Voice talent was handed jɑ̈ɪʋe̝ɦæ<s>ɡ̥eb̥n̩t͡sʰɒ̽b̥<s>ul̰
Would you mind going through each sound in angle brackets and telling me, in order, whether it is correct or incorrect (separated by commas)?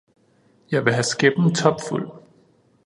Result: correct, incorrect